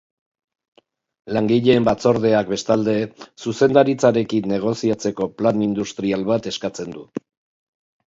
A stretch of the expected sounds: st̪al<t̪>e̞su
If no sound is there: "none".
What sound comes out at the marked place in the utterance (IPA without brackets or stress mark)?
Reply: d̪